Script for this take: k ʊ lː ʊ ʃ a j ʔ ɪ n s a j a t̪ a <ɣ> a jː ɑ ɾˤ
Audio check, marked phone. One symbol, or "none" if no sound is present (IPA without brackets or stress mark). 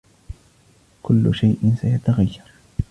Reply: ɣ